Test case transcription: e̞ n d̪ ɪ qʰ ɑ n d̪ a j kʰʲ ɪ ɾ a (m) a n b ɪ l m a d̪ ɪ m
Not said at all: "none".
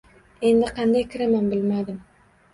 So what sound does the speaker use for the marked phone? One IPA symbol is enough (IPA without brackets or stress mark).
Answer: m